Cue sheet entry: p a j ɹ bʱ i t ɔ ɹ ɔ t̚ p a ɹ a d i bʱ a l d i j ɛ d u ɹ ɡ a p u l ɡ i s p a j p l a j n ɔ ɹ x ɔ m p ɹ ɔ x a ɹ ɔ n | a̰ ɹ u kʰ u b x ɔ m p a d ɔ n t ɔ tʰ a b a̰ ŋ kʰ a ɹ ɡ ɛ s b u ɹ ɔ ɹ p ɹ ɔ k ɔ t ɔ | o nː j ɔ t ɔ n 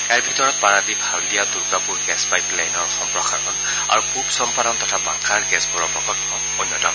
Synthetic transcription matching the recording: k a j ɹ bʱ i t ɔ ɹ ɔ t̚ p a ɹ a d i bʱ a l d i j a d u ɹ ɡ a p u ɹ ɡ ɛ s p a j p l a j n ɔ ɹ x ɔ m p ɹ ɔ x a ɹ ɔ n | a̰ ɹ u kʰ u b s ɔ m p a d ɔ n t ɔ tʰ a b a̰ ŋ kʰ a ɹ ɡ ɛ s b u ɹ ɔ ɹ p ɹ ɔ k ɔ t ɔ | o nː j ɔ t ɔ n